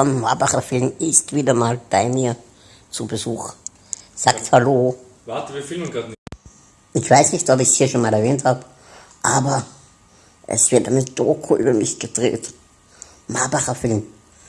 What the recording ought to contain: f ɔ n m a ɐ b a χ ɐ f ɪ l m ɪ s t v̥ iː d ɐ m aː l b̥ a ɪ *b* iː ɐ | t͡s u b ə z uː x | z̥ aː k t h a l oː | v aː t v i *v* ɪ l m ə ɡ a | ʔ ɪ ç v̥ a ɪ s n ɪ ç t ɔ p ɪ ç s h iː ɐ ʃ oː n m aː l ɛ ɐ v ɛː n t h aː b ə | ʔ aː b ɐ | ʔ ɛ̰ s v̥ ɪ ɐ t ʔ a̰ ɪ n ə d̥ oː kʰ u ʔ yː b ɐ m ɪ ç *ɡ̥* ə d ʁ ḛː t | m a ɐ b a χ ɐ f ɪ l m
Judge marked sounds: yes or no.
no, no, yes

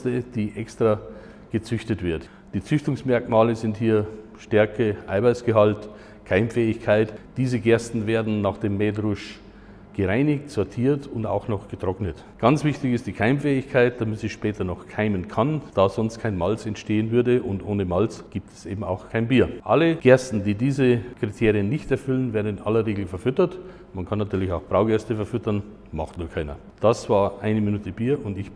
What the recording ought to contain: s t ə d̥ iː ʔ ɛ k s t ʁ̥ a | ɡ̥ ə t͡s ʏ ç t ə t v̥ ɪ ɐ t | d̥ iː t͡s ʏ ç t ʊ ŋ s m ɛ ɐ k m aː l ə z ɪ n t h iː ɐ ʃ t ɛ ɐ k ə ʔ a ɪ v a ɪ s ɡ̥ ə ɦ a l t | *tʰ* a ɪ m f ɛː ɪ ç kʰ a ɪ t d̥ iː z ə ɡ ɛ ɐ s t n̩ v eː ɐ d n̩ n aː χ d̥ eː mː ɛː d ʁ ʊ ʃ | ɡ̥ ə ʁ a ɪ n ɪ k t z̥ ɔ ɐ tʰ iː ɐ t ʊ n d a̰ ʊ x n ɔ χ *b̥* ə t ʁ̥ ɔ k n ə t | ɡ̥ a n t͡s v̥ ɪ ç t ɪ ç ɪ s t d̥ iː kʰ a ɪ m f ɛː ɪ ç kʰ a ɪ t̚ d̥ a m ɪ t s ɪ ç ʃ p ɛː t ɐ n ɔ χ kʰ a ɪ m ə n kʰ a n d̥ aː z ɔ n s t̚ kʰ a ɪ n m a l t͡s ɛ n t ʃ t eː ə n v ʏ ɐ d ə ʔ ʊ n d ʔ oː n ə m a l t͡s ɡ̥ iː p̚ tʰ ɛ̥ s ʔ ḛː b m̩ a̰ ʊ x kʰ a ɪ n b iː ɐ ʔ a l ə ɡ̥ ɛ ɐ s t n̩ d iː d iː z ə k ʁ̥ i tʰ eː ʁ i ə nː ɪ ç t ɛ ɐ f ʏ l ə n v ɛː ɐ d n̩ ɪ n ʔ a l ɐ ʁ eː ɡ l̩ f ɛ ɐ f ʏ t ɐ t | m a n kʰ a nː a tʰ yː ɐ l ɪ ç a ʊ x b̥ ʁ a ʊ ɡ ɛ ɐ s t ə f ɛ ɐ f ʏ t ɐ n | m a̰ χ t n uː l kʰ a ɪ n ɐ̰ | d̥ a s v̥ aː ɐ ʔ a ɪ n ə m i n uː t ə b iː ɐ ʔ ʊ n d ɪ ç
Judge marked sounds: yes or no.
no, no

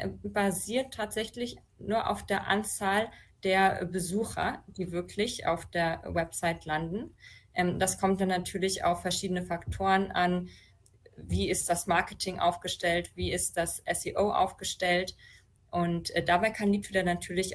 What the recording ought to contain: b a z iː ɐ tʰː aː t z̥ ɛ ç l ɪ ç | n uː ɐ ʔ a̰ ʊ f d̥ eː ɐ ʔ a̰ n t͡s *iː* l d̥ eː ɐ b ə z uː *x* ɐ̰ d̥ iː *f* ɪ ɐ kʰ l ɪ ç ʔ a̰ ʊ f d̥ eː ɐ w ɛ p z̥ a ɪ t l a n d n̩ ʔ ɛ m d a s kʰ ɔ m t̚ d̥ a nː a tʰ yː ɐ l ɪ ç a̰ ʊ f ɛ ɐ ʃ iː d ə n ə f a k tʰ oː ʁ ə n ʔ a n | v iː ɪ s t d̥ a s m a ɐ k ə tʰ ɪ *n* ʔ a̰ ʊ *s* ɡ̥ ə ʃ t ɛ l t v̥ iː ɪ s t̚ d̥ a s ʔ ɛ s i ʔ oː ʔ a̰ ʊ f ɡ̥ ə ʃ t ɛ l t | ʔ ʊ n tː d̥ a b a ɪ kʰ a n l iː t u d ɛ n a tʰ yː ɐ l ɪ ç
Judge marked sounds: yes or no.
no, yes, no, no, no

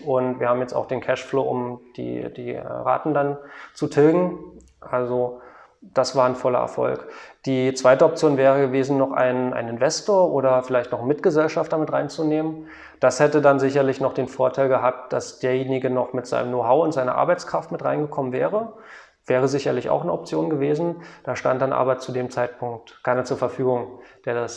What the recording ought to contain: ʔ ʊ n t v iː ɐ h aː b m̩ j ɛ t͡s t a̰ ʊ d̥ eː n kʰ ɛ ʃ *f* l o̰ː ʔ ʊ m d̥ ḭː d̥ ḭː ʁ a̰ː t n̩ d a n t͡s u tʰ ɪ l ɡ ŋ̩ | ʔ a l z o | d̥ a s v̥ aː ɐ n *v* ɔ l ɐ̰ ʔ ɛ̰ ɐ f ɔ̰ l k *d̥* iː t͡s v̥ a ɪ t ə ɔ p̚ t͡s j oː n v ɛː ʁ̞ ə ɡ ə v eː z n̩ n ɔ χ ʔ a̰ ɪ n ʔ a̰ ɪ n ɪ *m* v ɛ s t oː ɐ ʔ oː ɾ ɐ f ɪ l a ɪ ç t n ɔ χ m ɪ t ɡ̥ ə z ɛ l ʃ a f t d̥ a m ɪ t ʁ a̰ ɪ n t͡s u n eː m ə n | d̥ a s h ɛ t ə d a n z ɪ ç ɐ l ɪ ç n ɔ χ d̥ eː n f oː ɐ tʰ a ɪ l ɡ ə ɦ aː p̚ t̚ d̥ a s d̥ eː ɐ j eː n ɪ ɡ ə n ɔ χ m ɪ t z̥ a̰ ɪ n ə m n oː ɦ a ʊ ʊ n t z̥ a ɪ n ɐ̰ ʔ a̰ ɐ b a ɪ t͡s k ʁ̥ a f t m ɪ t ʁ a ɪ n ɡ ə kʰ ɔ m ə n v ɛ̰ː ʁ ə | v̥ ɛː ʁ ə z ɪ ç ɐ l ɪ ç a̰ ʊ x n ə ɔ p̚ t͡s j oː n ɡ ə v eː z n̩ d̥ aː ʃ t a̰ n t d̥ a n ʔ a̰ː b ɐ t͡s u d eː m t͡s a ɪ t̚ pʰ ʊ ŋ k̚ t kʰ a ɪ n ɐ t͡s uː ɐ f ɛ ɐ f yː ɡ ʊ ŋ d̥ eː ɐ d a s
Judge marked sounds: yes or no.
yes, no, yes, no

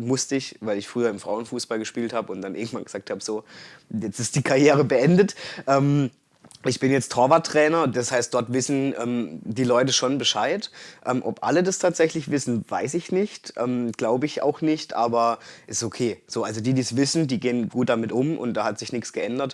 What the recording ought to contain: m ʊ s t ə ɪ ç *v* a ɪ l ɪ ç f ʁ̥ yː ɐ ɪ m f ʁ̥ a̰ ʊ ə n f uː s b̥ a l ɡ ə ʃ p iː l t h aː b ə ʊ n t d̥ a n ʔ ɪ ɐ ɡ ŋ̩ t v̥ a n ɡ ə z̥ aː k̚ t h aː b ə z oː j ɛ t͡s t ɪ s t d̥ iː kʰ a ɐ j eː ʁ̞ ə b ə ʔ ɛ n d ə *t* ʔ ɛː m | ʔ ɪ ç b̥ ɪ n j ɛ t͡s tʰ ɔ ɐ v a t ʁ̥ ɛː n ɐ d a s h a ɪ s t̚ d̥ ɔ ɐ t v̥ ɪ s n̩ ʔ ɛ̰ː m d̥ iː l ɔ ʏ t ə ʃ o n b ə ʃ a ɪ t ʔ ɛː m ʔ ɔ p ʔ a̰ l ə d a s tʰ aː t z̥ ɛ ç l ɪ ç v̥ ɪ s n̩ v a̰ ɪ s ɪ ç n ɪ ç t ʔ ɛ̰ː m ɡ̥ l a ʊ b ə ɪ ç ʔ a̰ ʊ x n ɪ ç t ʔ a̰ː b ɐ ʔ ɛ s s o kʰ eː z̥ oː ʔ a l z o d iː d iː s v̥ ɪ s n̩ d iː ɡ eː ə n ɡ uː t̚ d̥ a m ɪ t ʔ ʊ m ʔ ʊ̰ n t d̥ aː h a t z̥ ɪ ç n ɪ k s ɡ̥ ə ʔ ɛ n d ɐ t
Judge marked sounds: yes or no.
yes, yes

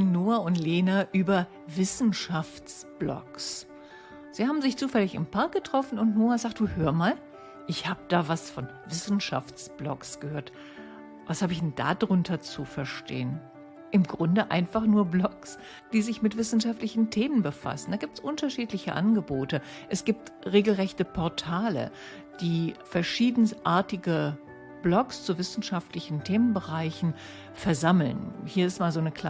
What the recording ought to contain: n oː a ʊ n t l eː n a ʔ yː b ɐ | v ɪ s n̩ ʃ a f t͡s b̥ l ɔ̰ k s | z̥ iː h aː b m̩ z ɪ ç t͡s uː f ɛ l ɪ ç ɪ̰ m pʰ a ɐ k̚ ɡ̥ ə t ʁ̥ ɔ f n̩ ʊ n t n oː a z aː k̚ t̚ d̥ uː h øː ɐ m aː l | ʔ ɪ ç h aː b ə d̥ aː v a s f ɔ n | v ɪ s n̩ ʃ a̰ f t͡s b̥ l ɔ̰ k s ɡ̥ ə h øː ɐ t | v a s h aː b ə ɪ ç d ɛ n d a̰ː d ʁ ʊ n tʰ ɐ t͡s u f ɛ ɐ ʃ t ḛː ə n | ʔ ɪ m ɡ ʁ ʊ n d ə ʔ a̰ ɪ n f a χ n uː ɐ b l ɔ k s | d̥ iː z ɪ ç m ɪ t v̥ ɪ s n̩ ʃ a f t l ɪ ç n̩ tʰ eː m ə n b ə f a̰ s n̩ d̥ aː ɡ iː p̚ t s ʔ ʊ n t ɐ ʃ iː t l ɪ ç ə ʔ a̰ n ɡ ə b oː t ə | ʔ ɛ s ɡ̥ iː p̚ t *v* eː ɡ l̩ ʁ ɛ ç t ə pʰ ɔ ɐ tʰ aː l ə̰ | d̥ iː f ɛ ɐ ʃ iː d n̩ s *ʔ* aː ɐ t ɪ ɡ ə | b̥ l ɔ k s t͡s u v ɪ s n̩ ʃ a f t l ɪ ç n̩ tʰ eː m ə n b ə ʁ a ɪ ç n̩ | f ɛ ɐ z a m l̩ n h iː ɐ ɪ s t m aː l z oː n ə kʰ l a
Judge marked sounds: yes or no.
no, yes

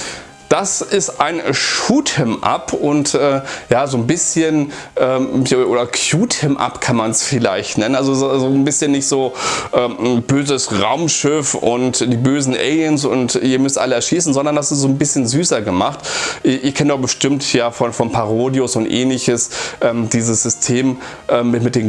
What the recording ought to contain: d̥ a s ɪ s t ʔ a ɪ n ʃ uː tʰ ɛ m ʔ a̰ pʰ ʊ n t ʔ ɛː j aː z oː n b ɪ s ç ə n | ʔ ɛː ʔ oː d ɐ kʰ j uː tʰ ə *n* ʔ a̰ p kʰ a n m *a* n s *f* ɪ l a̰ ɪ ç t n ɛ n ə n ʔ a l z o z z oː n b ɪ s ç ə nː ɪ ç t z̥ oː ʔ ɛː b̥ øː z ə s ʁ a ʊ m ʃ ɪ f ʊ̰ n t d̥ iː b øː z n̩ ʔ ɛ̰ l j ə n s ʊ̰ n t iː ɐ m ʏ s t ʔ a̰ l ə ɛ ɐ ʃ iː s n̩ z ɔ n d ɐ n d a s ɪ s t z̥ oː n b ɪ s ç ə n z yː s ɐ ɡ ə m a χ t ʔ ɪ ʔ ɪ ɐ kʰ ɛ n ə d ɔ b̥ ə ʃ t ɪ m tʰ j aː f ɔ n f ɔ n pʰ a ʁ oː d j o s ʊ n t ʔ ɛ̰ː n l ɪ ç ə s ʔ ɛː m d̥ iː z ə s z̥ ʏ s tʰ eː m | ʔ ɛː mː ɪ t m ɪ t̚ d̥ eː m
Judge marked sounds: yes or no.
no, yes, yes

